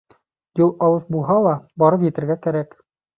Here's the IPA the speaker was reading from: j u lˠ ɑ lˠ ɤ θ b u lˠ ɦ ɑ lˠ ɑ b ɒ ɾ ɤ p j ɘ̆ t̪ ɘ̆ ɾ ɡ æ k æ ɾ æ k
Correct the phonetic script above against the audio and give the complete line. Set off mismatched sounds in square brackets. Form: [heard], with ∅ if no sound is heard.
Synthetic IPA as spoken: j u lˠ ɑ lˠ ɤ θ b u lˠ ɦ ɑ lˠ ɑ b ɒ ɾ ɤ p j ɘ̆ t̪ ɘ̆ ɾ ɡ æ k æ ɾ æ k